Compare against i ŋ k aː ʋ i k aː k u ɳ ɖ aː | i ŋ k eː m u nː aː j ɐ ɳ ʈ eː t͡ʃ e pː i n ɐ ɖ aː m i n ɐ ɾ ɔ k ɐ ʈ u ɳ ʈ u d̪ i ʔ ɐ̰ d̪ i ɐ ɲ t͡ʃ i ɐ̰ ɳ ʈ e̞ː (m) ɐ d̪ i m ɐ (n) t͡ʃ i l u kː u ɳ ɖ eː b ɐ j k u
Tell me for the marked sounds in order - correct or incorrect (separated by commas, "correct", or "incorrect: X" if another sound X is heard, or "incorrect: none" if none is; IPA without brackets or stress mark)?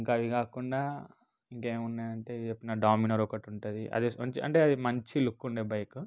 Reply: incorrect: none, incorrect: ɲ